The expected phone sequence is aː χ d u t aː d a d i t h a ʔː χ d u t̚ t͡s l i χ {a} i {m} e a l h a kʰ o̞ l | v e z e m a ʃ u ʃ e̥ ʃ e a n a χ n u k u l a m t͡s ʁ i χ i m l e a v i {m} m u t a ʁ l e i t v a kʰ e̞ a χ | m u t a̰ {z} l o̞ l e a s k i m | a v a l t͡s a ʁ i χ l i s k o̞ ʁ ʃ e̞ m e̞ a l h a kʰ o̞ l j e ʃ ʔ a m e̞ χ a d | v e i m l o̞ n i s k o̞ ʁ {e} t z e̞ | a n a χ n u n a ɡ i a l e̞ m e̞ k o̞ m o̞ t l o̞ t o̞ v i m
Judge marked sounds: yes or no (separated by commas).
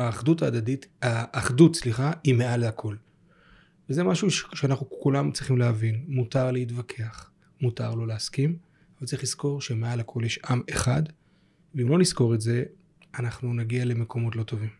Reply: yes, yes, no, no, yes